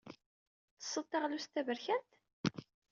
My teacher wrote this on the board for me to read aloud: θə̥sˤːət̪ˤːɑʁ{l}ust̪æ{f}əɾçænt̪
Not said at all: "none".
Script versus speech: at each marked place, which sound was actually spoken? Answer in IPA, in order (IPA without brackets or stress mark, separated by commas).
l, v